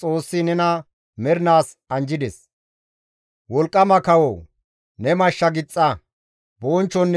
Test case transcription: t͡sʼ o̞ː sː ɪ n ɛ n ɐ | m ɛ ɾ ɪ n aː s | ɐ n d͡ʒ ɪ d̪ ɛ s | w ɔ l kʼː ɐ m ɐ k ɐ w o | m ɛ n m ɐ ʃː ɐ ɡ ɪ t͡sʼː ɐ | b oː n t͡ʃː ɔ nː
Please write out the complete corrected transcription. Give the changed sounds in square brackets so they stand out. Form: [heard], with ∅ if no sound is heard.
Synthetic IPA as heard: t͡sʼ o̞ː sː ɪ n ɛ n ɐ | m ɛ ɾ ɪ n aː s | ɐ n d͡ʒ ɪ d̪ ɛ s | w ɔ l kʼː ɐ m ɐ k ɐ w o | [n] ɛ [∅] m ɐ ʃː ɐ ɡ ɪ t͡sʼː ɐ | b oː n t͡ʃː ɔ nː